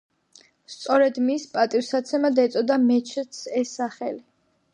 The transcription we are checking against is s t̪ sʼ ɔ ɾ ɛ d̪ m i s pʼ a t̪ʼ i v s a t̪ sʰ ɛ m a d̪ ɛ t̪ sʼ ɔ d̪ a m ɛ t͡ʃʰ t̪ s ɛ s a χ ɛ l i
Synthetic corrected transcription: s t̪ sʼ ɔ ɾ ɛ d̪ m i s pʼ a t̪ʼ i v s a t̪ sʰ ɛ m a d̪ ɛ t̪ sʼ ɔ d̪ a m ɛ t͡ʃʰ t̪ s ɛ s a χ ɛ l i